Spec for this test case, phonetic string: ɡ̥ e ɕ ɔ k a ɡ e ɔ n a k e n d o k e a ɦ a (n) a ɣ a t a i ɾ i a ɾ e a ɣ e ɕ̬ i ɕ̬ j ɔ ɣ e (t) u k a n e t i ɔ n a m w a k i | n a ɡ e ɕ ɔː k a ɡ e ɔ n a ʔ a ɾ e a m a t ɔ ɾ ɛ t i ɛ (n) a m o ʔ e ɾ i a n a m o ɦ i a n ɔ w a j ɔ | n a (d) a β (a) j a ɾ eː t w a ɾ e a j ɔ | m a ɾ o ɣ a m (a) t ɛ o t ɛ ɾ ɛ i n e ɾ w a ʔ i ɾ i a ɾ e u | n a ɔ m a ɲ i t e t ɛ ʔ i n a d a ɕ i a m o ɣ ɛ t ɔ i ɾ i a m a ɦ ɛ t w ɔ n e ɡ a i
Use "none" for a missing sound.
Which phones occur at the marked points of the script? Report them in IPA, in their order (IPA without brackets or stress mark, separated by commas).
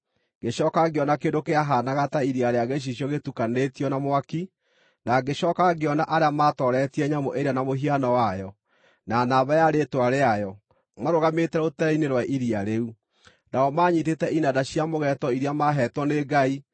n, t, ɲ, n, a, e